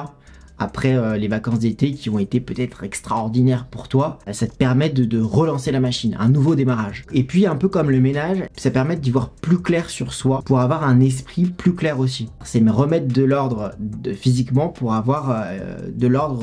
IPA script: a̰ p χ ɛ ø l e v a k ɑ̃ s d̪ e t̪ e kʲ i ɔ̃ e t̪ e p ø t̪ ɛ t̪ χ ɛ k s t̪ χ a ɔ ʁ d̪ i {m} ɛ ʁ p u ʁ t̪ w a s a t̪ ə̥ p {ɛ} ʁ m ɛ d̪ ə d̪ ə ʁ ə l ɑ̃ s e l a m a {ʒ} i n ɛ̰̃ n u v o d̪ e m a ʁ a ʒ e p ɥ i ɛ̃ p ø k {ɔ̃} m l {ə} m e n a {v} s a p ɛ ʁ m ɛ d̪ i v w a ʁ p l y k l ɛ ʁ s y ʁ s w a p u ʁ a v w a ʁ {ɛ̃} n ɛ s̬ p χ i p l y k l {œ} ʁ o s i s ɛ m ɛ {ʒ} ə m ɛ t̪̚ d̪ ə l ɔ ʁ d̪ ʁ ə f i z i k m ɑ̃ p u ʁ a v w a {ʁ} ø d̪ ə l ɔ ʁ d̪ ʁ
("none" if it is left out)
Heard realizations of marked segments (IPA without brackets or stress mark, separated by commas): n, ɛ, ʃ, ɔ, ə, ʒ, ɛ̃, ɛ, ʁ, ʁ